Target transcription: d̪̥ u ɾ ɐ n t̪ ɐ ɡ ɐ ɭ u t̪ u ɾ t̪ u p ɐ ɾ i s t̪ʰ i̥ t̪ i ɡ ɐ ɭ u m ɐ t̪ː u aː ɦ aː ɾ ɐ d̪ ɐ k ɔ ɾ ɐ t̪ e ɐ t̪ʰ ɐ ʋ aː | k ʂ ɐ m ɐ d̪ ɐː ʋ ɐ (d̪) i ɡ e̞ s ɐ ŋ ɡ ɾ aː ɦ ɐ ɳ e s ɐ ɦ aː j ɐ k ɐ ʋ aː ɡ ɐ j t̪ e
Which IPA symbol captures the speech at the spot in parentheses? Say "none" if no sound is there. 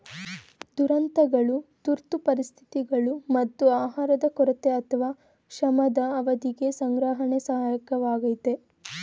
d̪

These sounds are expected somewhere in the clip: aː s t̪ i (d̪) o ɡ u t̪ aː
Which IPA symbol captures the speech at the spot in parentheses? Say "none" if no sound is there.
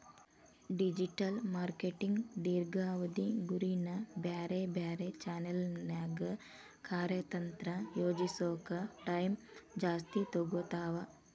t̪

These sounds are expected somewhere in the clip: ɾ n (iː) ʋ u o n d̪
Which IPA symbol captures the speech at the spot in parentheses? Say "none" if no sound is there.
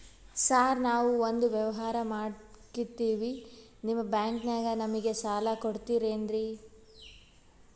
aː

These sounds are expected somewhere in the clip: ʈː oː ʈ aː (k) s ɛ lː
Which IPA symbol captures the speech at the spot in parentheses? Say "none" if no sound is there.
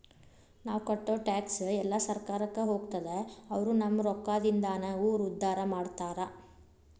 k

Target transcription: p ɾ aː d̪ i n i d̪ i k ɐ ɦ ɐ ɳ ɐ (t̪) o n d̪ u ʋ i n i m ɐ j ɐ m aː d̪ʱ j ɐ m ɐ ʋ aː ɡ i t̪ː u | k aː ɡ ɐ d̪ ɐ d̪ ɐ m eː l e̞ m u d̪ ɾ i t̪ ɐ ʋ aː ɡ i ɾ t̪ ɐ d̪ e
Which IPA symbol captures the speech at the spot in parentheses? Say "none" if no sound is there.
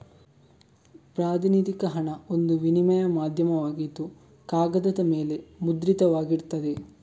none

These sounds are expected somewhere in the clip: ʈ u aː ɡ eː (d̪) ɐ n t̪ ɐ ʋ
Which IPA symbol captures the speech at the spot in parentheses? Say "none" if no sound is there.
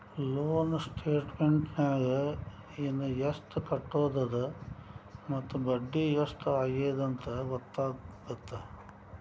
d̪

